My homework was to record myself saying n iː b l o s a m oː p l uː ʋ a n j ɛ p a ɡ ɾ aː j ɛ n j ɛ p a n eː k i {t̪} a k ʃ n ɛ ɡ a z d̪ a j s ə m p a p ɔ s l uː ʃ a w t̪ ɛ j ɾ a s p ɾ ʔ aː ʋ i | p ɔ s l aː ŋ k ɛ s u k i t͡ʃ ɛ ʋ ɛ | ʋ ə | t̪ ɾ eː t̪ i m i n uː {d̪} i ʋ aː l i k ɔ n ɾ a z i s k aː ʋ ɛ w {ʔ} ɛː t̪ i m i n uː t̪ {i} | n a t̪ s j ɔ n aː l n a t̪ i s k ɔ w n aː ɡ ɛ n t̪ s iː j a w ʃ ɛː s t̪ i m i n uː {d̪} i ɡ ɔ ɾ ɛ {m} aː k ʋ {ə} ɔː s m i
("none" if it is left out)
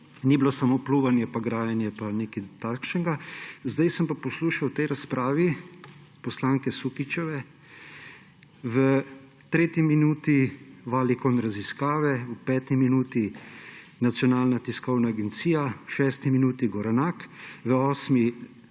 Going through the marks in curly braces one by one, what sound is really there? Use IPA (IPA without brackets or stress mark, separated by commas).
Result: t̪, t̪, p, i, t̪, n, ə